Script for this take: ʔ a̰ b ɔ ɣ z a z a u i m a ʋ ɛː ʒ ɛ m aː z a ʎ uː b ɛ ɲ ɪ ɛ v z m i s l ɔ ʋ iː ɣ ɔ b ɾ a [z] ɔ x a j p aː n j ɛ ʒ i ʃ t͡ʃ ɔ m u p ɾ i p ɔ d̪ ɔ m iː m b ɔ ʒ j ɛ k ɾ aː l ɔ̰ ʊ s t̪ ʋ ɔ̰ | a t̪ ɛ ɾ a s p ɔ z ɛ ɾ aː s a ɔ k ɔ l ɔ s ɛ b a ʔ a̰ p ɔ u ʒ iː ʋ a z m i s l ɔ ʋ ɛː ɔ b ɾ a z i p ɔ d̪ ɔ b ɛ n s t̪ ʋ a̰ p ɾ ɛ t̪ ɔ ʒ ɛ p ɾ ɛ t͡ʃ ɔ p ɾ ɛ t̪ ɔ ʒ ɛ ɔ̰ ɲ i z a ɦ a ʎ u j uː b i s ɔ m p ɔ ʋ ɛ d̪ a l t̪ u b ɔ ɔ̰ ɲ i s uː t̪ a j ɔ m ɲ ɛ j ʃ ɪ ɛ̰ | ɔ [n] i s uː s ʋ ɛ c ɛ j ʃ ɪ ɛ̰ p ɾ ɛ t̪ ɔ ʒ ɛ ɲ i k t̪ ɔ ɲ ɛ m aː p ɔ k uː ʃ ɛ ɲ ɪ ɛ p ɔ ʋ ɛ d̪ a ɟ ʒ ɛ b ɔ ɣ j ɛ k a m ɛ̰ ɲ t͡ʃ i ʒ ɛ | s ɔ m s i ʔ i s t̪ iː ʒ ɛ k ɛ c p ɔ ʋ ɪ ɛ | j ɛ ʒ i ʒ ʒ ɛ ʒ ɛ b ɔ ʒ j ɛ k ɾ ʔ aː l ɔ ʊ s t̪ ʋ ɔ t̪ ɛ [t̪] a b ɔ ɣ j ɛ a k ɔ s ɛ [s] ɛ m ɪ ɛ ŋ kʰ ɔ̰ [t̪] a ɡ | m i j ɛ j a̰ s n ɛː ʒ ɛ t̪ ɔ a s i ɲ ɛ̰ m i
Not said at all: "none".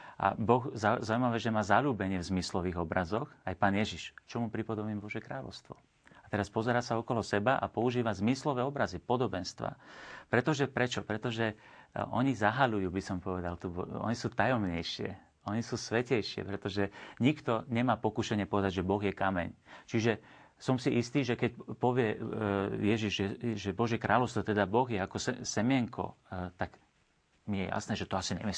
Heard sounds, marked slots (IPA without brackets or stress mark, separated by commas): z, ɲ, d̪, s, t̪